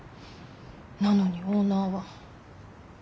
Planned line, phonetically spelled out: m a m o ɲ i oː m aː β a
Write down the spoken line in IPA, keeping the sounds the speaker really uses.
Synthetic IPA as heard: n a n o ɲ i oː n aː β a